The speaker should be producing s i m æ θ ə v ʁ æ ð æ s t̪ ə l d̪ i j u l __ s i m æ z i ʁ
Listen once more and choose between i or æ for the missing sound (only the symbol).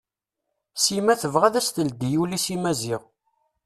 i